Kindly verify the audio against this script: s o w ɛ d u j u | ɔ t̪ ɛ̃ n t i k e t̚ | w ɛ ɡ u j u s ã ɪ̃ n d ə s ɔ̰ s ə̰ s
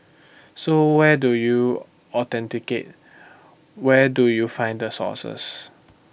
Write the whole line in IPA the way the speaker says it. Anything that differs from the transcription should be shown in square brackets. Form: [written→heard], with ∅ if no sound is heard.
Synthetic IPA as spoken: s o w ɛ d u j u | ɔ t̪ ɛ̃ n t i k e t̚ | w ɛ [ɡ→d] u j u [s→f] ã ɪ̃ n d ə s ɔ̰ s ə̰ s